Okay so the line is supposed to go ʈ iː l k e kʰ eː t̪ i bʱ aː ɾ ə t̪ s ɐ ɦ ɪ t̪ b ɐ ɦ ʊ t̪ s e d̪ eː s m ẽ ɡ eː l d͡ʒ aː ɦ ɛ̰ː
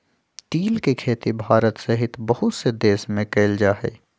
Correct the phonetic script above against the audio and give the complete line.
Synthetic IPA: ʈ iː l k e kʰ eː t̪ i bʱ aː ɾ ə t̪ s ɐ ɦ ɪ t̪ b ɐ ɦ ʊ t̪ s e d̪ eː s m ẽ k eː l d͡ʒ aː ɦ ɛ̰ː

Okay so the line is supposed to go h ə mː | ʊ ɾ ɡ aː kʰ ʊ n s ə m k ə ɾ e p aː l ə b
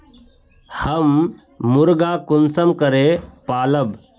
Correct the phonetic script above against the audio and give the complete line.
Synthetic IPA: h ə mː | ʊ ɾ ɡ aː k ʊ n s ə m k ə ɾ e p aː l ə b

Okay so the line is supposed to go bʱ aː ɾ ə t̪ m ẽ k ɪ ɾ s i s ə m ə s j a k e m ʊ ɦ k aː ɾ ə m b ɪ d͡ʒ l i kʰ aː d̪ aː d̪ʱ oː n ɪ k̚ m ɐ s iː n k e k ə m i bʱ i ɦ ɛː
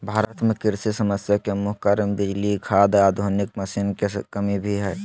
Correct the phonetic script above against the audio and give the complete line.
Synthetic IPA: bʱ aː ɾ ə t̪ m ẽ k ɪ ɾ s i s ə m ə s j a k e m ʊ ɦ k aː ɾ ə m b ɪ d͡ʒ l i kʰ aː d̪ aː d̪ʱ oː n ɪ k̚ m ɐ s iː n k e k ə m i bʱ i ɦ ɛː

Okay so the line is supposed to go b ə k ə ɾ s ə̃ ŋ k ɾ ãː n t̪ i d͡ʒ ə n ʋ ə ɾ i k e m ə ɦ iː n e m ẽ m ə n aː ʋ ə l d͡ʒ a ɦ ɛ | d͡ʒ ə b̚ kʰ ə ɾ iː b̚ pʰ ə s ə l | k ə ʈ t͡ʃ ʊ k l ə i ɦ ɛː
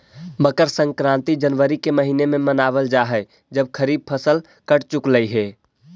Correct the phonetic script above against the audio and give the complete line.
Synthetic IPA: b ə k ə ɾ s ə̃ ŋ k ɾ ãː n t̪ i d͡ʒ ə n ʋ ə ɾ i k e m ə ɦ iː n e m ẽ m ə n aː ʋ ə l d͡ʒ a ɦ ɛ | d͡ʒ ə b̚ kʰ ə ɾ iː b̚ pʰ ə s ə l | k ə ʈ t͡ʃ ʊ k l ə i ɦ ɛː

